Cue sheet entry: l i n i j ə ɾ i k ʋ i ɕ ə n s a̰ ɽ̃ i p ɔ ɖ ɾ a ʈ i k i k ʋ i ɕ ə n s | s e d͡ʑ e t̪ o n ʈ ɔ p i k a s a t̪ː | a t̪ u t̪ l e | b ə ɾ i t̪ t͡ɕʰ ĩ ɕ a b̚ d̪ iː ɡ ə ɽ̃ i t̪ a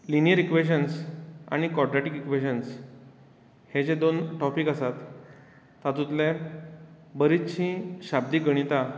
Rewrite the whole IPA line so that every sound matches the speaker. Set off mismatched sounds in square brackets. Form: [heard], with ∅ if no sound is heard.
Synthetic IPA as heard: l i n i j ə ɾ i k ʋ [e] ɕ ə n s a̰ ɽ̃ i [k] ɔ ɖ ɾ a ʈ i k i k ʋ [e] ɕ ə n s | [h] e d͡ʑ e [d̪] o n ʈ ɔ p i k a s a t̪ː | a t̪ u t̪ l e | b ə ɾ i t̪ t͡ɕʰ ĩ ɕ a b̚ d̪ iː ɡ ə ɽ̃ i t̪ a

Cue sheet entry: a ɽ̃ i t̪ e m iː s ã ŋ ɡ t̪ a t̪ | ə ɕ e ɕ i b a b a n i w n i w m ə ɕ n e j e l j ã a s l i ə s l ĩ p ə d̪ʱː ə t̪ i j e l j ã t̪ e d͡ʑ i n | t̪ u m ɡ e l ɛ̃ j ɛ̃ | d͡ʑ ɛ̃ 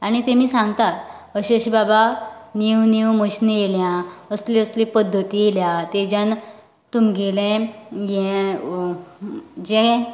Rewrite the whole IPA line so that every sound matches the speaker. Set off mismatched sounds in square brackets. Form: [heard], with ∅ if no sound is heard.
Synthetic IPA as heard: a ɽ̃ i t̪ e m iː s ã ŋ ɡ t̪ a t̪ | ə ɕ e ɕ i b a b a n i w n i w m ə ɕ n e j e l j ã [ə] s l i ə s l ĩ p ə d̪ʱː ə t̪ i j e l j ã t̪ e d͡ʑ [a] n | t̪ u m ɡ e l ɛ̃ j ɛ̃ | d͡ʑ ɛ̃

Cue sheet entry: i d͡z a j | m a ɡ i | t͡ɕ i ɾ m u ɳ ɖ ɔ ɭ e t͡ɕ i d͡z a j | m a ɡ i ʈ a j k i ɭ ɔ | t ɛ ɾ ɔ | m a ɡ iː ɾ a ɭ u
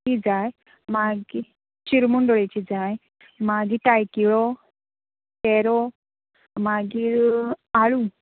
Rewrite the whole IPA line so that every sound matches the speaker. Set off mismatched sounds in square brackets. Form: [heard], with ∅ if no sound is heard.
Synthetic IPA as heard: i d͡z a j | m a ɡ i | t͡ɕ i ɾ m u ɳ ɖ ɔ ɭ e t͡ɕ i d͡z a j | m a ɡ i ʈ a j k i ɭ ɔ | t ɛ ɾ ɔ | m a ɡ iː ɾ a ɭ u

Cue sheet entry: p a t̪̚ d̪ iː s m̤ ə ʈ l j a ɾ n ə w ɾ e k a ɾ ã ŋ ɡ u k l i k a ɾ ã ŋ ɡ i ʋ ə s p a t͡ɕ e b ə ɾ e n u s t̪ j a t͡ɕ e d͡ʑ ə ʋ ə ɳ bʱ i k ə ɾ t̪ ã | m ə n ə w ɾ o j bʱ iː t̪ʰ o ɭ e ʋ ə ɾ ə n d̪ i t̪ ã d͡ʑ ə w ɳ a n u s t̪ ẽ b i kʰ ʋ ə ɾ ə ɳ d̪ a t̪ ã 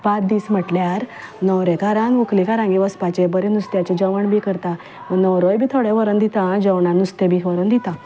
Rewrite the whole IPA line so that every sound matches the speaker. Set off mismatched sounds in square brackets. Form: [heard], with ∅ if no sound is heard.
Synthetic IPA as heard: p a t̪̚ d̪ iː s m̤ ə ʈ l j a ɾ n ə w ɾ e k a ɾ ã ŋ ɡ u k l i k a ɾ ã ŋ ɡ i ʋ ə s p a t͡ɕ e b ə ɾ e n u s t̪ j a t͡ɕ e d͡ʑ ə ʋ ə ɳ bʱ i k ə ɾ t̪ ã | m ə n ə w ɾ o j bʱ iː t̪ʰ o [ɽ] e ʋ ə ɾ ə n d̪ i t̪ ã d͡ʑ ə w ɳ a n u s t̪ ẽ b i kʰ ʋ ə ɾ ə [n] d̪ [i] t̪ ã

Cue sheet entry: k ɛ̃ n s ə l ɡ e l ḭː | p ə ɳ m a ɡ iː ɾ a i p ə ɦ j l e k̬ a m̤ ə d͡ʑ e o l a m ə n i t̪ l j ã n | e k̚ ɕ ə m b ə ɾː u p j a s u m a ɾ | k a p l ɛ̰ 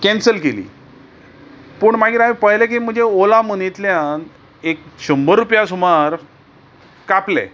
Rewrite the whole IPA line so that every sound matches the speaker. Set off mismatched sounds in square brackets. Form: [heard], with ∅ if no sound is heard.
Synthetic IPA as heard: k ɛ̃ n s ə l [k] e l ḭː | p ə ɳ m a ɡ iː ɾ a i p ə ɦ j l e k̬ [i] m̤ ə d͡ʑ e o l a m ə n i t̪ l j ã n | e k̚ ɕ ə m b ə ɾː u p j a s u m a ɾ | k a p l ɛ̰

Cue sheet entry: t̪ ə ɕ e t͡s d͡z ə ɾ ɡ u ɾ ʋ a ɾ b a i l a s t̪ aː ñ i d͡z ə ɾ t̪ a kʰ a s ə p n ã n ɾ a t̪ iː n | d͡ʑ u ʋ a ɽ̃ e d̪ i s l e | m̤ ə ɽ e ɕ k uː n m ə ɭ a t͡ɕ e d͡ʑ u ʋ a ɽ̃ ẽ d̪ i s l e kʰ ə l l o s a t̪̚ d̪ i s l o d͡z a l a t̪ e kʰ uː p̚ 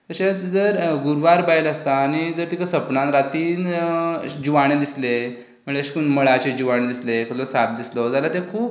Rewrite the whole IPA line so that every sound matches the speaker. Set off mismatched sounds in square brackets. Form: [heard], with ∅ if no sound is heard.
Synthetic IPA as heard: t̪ ə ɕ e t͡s d͡z ə ɾ ɡ u ɾ ʋ a ɾ b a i l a s t̪ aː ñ i d͡z ə ɾ t̪ [i] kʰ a s ə p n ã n ɾ a t̪ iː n | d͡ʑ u ʋ a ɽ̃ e d̪ i s l e | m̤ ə [ɭ] e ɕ k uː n m ə ɭ a t͡ɕ e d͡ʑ u ʋ a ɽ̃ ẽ d̪ i s l e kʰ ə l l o s a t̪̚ d̪ i s l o d͡z a l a t̪ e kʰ uː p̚

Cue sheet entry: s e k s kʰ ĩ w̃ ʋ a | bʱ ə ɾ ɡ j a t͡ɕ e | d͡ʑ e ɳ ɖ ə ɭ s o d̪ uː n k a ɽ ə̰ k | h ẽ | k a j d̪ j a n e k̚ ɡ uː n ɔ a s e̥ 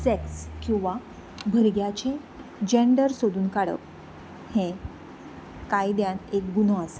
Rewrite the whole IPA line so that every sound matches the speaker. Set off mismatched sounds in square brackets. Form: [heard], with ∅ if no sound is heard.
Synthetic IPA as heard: s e k s [k] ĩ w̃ ʋ a | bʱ ə ɾ ɡ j a t͡ɕ e | d͡ʑ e ɳ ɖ ə [ɾ] s o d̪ uː n k a ɽ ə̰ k | h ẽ | k a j d̪ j a n e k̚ ɡ [u] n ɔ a s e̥

